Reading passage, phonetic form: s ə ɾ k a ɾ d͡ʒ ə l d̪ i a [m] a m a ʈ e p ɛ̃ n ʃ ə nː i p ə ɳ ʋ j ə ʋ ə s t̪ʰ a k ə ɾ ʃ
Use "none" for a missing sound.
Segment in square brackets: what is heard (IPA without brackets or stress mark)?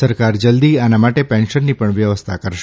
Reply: n